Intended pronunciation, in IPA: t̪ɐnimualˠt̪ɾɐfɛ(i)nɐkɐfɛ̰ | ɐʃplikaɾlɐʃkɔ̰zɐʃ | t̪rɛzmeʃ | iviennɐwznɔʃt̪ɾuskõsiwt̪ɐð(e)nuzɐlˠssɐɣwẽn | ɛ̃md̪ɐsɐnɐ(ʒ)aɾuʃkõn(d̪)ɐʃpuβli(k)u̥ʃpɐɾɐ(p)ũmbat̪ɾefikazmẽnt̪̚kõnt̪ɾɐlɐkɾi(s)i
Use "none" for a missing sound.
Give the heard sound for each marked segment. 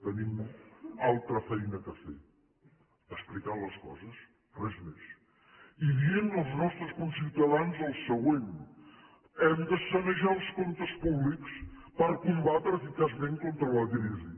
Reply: j, a, ʒ, t̪, k, k, z

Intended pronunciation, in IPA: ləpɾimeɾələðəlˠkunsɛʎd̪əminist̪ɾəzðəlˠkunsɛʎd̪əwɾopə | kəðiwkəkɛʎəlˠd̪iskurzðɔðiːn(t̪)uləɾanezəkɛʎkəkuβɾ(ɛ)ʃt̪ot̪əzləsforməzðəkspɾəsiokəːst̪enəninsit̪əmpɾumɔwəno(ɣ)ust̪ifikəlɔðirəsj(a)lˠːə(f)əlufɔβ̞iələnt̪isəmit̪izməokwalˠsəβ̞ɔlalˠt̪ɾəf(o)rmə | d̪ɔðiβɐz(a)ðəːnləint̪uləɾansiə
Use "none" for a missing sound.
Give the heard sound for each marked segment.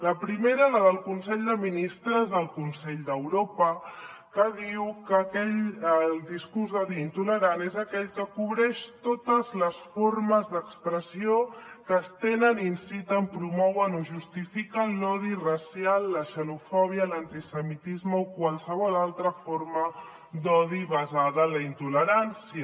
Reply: t̪, ɛ, ʒ, a, ʃ, o, a

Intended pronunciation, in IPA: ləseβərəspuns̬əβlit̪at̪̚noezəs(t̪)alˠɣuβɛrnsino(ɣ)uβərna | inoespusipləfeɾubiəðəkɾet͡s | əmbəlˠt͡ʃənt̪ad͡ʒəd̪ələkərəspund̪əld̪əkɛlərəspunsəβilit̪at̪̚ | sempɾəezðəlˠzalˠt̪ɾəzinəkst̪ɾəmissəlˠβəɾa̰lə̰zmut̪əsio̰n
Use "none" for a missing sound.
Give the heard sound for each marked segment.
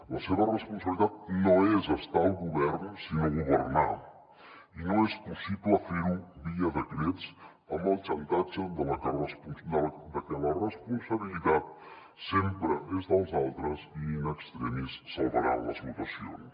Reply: t̪, ɣ

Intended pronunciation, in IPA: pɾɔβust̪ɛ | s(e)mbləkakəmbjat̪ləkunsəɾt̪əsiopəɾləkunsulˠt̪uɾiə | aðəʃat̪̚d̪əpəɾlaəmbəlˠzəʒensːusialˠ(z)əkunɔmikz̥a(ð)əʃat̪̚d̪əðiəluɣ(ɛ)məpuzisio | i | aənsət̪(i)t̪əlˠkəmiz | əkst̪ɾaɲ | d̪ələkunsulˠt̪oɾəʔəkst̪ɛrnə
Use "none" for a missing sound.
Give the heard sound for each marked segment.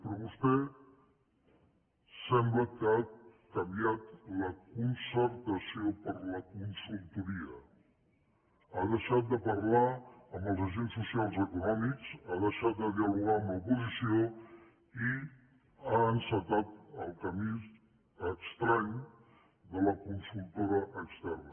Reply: ɛ, z, ð, a, a

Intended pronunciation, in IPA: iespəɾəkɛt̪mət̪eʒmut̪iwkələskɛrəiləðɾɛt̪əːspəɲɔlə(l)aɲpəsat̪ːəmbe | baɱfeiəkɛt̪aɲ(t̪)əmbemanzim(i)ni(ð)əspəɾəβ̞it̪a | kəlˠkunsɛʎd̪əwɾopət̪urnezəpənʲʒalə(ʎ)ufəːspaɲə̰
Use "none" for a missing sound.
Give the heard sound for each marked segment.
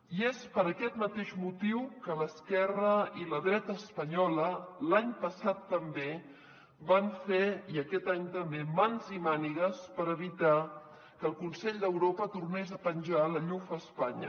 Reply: l, t̪, a, ɣ, ʎ

